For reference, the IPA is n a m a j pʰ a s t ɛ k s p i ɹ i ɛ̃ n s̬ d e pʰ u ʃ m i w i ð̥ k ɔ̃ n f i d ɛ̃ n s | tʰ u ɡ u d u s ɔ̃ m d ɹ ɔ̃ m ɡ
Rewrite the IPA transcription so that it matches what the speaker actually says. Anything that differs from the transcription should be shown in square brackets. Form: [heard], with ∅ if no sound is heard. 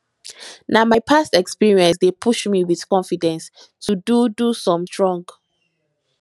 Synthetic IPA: n a m a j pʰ a s t ɛ k s p i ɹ i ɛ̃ n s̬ d e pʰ u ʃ m i w i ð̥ k ɔ̃ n f i d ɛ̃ n s | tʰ u [d] u d u s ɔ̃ m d ɹ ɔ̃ [ŋ] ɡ